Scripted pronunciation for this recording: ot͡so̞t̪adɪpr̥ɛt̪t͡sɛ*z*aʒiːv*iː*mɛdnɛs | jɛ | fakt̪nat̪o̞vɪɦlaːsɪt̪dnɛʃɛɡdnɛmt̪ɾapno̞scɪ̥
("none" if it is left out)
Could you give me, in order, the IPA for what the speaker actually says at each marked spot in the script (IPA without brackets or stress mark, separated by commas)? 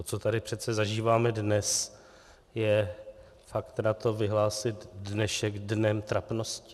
z, aː